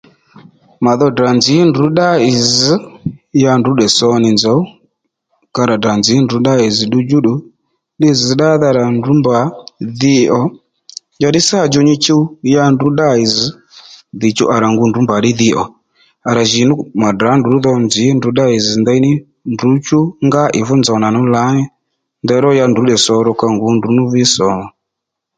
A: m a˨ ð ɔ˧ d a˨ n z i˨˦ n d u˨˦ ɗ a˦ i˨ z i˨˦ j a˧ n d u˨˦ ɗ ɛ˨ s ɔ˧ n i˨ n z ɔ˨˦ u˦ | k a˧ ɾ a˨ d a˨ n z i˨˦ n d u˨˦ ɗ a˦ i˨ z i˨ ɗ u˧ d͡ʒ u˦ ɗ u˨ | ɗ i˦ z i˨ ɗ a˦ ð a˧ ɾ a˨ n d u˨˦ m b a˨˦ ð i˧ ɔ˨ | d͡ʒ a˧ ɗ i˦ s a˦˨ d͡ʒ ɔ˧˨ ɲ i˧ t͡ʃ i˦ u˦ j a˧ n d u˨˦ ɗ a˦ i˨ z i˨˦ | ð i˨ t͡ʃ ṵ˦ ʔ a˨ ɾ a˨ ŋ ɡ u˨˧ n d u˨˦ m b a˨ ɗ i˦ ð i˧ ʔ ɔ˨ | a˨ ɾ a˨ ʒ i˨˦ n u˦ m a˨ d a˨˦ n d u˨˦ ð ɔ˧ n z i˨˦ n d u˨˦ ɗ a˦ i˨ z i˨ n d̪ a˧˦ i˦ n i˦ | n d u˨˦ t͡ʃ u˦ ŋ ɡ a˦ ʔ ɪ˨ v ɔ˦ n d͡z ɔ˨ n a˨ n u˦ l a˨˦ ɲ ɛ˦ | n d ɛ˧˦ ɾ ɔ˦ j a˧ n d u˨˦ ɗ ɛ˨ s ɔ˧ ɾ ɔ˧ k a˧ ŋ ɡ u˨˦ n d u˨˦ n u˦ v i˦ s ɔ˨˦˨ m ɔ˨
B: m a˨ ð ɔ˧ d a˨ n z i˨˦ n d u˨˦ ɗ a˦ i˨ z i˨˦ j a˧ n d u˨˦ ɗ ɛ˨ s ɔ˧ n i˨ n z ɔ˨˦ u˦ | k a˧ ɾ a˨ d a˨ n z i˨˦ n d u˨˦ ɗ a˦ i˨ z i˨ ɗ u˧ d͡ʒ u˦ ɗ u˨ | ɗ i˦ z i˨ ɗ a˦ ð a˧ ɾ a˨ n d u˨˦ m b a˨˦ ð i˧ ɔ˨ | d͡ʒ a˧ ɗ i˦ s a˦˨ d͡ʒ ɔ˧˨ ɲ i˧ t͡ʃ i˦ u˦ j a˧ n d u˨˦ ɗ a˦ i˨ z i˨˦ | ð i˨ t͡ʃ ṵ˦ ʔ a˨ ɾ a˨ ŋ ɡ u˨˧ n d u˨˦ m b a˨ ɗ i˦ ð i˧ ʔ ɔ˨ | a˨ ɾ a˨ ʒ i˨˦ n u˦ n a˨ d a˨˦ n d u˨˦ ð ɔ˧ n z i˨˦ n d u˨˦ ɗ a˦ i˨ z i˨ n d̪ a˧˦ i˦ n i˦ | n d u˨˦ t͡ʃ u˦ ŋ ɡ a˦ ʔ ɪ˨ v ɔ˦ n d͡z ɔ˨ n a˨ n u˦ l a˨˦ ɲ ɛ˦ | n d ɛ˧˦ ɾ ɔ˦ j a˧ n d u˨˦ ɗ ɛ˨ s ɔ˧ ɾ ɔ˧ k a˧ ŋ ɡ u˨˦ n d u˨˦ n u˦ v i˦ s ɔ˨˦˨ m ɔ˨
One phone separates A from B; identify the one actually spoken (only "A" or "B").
A